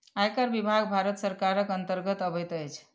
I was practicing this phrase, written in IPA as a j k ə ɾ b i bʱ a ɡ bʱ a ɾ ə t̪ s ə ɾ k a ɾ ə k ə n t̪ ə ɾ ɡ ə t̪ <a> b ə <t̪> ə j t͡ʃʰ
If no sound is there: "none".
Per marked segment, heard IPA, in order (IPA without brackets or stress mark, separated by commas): ə, t̪